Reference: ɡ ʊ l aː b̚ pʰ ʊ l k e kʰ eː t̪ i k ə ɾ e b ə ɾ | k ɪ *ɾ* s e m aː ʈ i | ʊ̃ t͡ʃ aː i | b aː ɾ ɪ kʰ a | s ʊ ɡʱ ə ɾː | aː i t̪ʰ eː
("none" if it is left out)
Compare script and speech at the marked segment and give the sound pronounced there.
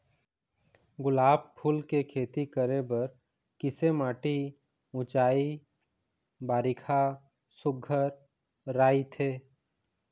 none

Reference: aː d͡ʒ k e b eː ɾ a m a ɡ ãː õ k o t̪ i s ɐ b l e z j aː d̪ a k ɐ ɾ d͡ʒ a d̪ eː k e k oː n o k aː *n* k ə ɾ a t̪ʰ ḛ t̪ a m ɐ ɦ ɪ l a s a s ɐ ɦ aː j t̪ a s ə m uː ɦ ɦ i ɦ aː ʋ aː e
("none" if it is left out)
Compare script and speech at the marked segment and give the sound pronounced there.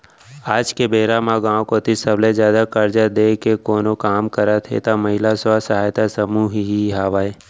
m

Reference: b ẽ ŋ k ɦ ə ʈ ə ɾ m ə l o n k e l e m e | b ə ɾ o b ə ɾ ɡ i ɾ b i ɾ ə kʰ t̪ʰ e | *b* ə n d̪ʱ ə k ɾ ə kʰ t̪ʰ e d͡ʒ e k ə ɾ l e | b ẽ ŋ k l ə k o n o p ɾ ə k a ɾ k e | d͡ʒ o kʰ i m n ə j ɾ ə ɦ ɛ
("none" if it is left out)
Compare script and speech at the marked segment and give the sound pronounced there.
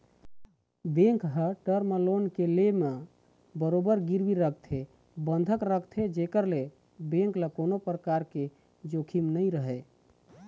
b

